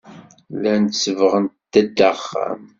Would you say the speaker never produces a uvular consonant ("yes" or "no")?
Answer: no